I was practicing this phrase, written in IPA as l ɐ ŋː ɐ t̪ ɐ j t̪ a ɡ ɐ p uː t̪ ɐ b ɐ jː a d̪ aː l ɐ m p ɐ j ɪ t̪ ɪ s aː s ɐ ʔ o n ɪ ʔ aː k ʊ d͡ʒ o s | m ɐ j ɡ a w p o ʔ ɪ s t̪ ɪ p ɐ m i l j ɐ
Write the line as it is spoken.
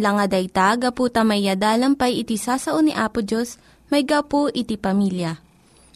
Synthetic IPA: l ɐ ŋ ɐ d̪ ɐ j t̪ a ɡ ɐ p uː t̪ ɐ m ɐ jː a d̪ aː l ɐ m p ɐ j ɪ t̪ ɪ s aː s ɐ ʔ o n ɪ ʔ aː p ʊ d͡ʒ o s | m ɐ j ɡ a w p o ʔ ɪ t̪ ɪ p ɐ m i l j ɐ